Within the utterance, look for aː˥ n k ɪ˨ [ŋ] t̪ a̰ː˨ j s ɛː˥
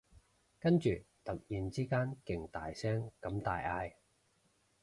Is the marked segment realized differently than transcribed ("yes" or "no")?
no